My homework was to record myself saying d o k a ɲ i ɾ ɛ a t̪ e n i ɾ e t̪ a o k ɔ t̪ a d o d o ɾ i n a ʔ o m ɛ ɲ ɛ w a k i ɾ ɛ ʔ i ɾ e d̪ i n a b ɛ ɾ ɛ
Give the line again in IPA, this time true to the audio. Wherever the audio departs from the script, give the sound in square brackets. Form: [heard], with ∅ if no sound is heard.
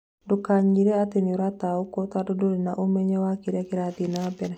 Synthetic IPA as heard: d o k a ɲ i ɾ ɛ a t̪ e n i ɾ [a] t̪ a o k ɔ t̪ a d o d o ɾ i n a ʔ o m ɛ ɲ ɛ w a k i ɾ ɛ [k] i ɾ [a] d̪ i n a b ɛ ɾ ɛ